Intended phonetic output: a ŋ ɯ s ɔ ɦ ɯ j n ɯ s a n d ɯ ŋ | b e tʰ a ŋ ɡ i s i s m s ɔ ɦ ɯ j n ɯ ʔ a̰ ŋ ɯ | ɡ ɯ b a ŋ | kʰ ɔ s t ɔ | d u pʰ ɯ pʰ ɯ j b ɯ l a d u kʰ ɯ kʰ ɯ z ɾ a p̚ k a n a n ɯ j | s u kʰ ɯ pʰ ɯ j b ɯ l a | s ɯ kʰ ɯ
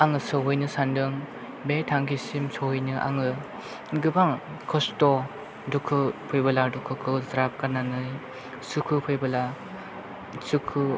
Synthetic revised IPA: a ŋ ɯ s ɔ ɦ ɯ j n ɯ s a n d ɯ ŋ | b e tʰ a ŋ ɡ i s i m s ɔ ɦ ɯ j n ɯ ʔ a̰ ŋ ɯ | ɡ ɯ b a ŋ | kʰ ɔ s t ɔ | d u kʰ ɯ pʰ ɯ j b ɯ l a d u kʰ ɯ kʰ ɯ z ɾ a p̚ k a n a n ɯ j | s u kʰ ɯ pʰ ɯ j b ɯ l a | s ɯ kʰ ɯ